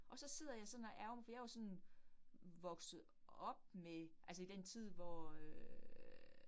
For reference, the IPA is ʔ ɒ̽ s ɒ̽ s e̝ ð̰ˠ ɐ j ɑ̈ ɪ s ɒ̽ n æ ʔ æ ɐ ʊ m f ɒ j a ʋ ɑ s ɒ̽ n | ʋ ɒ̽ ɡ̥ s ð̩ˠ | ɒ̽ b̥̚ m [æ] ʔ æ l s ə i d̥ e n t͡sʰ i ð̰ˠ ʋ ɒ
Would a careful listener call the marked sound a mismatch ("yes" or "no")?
yes